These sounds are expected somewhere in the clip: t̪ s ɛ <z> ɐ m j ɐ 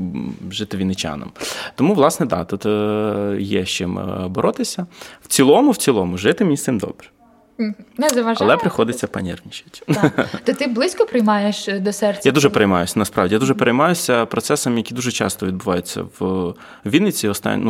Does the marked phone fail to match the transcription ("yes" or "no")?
yes